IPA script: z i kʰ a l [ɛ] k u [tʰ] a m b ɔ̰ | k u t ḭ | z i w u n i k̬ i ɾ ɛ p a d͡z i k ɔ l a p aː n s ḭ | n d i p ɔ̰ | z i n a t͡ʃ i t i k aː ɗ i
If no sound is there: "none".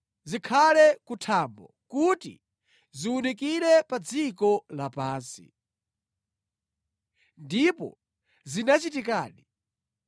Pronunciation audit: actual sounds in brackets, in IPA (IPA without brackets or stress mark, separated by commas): ɛ, tʰ